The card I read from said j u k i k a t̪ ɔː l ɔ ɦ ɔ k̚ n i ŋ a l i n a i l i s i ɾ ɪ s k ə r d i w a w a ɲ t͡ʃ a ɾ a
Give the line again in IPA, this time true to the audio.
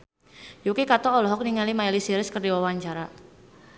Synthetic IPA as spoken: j u k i k a t̪ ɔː l ɔ ɦ ɔ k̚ n i ŋ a l i m a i l i s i ɾ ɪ s k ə r d i w a w a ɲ t͡ʃ a ɾ a